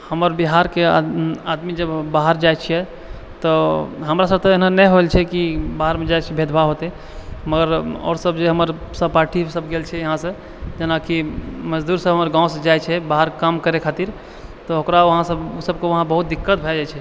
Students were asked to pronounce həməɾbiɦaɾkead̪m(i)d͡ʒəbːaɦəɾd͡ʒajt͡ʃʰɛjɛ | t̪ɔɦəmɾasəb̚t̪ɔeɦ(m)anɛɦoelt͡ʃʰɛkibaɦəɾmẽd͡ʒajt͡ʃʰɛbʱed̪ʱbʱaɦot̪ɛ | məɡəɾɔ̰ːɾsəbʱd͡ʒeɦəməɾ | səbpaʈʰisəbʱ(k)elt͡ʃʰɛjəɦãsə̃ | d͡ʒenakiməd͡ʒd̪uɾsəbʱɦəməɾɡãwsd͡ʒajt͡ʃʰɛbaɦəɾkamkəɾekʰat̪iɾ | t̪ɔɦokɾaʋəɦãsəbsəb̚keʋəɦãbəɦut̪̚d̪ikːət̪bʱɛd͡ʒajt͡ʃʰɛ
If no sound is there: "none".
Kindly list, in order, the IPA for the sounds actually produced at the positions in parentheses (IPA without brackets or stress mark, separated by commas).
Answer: i, n, ɡ